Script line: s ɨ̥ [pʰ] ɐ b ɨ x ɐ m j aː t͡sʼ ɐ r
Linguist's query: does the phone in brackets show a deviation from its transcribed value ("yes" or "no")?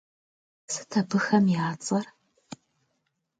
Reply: yes